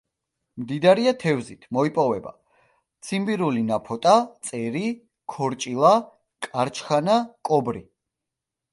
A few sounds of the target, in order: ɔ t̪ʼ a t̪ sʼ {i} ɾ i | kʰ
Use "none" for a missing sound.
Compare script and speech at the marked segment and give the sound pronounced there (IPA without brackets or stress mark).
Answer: ɛ